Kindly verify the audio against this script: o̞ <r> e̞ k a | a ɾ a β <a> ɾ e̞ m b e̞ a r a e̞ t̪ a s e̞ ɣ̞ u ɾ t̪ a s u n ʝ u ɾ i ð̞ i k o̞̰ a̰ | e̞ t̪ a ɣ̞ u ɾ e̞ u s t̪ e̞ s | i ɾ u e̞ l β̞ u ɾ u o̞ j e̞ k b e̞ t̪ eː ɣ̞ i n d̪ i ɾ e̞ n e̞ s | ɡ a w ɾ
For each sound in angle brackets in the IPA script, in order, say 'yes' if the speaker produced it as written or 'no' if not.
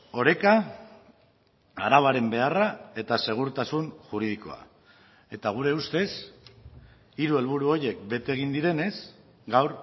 no, yes

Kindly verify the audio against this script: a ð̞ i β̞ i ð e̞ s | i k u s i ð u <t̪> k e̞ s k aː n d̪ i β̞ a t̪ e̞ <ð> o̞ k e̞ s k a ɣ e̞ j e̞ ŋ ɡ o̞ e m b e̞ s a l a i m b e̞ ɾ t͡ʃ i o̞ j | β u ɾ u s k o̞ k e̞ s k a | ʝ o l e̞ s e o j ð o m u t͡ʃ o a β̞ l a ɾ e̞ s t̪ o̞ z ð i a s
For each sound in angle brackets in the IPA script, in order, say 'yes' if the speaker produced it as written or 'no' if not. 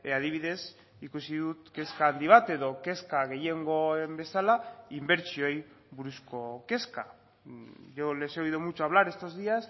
yes, yes

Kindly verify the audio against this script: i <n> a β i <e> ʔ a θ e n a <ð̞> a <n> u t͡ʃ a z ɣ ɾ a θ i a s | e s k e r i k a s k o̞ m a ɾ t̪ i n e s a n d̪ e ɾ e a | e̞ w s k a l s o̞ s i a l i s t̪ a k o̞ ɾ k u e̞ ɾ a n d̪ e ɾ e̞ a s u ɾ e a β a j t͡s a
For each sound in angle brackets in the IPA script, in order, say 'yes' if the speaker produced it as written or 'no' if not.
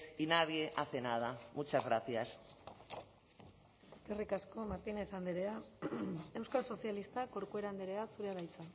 yes, yes, yes, no

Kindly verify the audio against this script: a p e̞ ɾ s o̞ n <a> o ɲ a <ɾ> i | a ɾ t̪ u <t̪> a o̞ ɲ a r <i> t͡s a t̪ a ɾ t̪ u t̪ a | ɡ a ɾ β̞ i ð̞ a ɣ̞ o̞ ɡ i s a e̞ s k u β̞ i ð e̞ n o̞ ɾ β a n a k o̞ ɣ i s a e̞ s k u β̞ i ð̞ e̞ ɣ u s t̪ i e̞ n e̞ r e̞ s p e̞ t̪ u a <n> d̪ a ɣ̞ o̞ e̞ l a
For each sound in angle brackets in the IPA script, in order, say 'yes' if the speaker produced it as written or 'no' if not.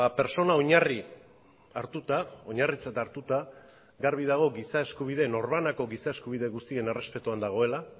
yes, no, yes, yes, yes

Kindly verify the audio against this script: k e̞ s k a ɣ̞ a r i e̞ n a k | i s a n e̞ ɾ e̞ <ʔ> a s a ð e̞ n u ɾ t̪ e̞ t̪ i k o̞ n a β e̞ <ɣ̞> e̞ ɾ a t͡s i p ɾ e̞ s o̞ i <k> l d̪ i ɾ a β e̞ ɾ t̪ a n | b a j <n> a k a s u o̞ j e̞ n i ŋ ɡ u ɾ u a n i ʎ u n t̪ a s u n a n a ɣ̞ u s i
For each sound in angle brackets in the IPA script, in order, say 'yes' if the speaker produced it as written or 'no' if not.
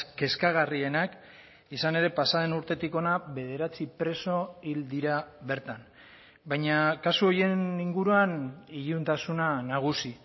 no, no, no, no

